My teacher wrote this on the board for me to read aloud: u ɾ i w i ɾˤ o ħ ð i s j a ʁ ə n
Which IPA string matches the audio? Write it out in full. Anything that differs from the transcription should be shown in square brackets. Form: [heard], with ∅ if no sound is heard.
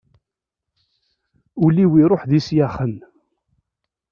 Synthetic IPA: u [l] i w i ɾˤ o ħ ð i s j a [χ] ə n

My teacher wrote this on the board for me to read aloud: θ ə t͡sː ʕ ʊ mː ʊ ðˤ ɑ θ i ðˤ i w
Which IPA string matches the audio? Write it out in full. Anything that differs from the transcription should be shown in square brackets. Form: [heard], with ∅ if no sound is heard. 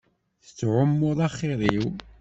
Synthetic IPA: θ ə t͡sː ʕ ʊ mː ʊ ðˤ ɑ [χ] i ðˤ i w

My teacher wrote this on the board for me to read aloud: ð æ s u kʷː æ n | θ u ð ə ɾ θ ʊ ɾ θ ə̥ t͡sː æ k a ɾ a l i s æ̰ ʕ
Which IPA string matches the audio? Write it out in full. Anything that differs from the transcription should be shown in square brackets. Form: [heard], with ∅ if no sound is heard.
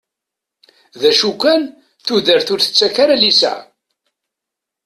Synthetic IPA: ð æ [ʃ] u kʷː æ n | θ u ð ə ɾ θ ʊ ɾ θ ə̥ t͡sː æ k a ɾ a l i s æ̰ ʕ

